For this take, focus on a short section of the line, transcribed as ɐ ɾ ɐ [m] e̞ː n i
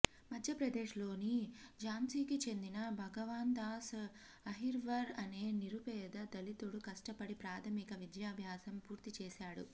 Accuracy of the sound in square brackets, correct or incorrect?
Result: incorrect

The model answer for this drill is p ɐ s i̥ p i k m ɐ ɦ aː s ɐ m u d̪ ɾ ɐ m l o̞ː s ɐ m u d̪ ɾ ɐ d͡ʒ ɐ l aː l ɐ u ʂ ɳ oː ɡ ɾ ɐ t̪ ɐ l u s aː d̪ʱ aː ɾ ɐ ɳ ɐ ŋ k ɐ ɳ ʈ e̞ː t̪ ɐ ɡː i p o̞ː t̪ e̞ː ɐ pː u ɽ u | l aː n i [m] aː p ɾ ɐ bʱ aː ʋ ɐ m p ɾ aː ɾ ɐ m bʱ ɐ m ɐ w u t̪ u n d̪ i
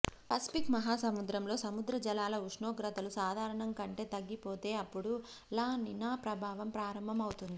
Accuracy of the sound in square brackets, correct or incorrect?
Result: incorrect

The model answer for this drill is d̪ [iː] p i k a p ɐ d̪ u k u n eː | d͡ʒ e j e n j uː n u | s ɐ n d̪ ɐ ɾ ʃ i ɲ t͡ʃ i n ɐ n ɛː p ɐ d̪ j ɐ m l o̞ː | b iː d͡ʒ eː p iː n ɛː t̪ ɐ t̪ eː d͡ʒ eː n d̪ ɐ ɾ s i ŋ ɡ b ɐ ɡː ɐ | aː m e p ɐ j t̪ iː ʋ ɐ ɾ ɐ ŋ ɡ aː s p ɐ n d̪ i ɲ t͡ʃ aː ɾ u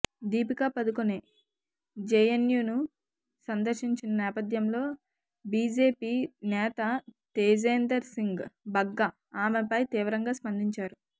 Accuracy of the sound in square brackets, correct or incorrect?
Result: correct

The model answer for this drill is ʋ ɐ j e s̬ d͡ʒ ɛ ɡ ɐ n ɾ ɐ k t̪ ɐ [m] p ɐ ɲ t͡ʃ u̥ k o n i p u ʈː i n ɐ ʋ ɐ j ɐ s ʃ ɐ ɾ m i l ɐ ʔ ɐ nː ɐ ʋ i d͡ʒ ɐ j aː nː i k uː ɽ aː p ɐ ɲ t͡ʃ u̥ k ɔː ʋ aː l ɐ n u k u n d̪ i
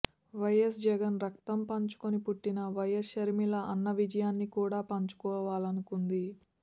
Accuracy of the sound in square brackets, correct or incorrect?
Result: correct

